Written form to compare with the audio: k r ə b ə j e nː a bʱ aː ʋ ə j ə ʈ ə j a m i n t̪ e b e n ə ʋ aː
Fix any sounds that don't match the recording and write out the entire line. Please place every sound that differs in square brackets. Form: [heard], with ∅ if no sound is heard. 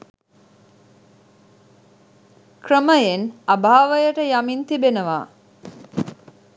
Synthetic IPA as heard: k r ə [m] ə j e [n] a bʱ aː ʋ ə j ə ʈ ə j a m i n t̪ [i] b e n ə ʋ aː

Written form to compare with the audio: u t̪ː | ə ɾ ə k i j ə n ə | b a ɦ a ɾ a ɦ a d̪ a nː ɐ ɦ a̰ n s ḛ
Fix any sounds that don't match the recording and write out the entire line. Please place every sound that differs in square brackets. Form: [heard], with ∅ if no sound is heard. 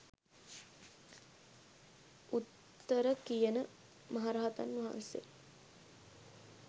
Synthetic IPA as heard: u t̪ː | ə ɾ ə k i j ə n ə | [m] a ɦ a ɾ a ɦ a [t̪] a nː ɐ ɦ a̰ n s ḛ

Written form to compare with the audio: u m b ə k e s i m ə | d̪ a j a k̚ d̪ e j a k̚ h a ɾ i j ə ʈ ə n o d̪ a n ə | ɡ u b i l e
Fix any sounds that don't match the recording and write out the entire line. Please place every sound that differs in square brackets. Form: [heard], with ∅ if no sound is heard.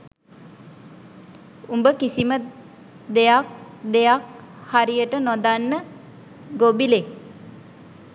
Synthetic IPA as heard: u m b ə k [i] s i m ə | d̪ [e] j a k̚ d̪ e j a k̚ h a ɾ i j ə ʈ ə n o d̪ a [nː] ə | ɡ [o] b i l e

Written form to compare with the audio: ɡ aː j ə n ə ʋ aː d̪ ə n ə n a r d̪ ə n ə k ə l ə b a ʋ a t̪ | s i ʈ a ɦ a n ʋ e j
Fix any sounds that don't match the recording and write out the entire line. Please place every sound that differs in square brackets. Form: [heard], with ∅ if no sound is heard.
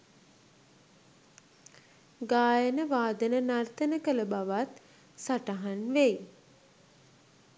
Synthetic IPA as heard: ɡ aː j ə n ə ʋ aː d̪ ə n ə n a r [t̪] ə n ə k ə l ə b a ʋ a t̪ | s [a] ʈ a ɦ a n ʋ e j

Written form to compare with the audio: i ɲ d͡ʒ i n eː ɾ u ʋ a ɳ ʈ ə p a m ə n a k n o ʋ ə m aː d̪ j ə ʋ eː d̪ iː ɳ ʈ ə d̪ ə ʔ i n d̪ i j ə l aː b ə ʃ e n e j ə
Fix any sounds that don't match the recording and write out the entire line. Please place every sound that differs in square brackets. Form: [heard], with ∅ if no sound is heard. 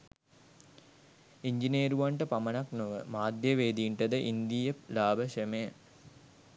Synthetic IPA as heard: i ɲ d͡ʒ i n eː ɾ u ʋ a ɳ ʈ ə p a m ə n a k n o ʋ ə m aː d̪ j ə ʋ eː d̪ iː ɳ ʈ ə d̪ ə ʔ i n d̪ i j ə l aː b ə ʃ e [m] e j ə

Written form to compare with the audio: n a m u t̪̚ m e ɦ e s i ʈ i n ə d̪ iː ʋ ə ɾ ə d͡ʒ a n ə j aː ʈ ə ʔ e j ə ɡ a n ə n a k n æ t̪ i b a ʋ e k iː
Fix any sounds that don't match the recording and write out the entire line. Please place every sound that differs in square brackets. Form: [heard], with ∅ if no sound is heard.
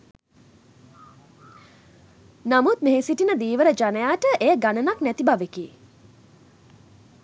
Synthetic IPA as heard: n a m u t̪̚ m e ɦ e s i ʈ i n ə d̪ iː ʋ ə ɾ ə d͡ʒ a n ə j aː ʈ ə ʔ e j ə ɡ a n ə n a k n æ t̪ i b a ʋ e k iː

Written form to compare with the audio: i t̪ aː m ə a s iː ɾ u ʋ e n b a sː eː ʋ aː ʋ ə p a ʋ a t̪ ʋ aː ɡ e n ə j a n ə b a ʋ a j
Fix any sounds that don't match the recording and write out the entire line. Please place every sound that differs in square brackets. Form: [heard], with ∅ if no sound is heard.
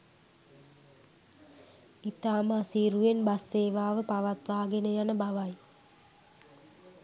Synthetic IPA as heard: i t̪ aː m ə a s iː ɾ u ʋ e n b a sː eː ʋ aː ʋ ə p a ʋ a t̪ ʋ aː ɡ e n ə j a n ə b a ʋ a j

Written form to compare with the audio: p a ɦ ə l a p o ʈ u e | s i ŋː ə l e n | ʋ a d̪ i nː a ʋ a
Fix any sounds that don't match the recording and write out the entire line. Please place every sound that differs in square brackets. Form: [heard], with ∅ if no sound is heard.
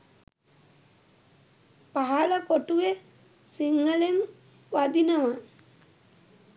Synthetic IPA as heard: p a ɦ [a] l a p o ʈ u e | s i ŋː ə l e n | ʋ a d̪ i [n] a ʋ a

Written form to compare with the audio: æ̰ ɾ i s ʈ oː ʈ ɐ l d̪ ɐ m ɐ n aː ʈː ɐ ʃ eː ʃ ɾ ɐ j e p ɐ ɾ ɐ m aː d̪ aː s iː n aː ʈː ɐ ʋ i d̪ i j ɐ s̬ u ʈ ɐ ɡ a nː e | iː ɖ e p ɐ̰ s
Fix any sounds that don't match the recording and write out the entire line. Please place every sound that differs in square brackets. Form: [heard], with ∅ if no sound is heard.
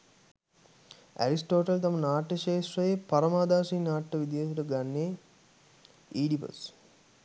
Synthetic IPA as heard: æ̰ ɾ i s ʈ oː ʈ ɐ l [t̪] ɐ m ɐ n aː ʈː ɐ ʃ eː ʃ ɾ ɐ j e p ɐ ɾ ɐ m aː d̪ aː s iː n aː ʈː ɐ ʋ i d̪ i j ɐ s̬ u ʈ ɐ ɡ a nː e | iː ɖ [i] p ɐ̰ s

